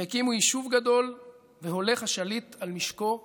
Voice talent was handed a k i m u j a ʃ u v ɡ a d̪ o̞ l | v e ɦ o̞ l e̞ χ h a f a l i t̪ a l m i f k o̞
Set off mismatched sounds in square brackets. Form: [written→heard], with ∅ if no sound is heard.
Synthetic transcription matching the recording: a k i m u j [a→i] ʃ u v ɡ a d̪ o̞ l | v e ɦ o̞ l e̞ χ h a [f→ʃ] a l i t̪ a l m i [f→ʃ] k o̞